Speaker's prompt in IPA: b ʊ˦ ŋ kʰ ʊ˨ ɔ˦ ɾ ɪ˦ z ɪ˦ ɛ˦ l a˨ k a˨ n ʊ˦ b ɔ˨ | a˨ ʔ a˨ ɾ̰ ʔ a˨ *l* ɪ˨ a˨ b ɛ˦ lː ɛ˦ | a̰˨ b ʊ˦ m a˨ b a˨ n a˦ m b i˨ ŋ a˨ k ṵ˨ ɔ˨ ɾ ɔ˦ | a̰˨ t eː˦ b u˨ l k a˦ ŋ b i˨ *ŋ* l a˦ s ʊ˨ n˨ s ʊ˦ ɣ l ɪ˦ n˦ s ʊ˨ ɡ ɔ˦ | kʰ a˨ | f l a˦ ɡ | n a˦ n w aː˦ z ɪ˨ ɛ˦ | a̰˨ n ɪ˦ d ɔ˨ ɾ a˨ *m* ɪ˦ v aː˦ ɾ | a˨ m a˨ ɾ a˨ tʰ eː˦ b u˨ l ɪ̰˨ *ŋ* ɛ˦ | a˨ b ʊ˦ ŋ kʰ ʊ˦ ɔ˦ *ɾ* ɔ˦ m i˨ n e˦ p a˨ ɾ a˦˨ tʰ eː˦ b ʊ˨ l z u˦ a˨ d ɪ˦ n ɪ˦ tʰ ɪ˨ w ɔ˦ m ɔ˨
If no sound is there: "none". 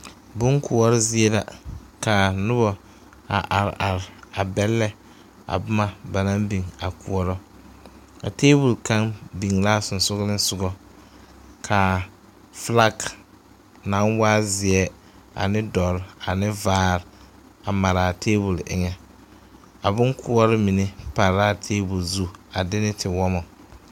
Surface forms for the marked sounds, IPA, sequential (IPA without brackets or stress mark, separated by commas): ɾ, ŋ, n, ŋ, ɾ